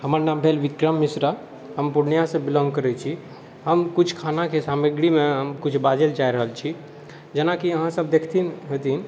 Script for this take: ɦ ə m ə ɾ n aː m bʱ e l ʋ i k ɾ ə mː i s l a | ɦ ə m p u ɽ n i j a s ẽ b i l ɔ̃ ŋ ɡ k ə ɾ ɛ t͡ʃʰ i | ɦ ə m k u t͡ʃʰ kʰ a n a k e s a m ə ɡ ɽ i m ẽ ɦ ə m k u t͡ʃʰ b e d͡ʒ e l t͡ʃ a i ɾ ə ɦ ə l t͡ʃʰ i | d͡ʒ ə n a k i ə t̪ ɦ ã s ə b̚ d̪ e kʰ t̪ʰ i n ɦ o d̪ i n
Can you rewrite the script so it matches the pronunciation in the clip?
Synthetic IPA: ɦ ə m ə ɾ n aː m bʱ e l ʋ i k ɾ ə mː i s ɾ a | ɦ ə m p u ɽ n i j a s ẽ b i l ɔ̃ ŋ ɡ k ə ɾ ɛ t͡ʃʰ i | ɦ ə m k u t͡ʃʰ kʰ a n a k e s a m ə ɡ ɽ i m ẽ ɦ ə m k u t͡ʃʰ b a d͡ʒ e l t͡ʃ a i ɾ ə ɦ ə l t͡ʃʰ i | d͡ʒ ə n a k i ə ɦ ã s ə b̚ d̪ e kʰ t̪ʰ i n ɦ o t̪ i n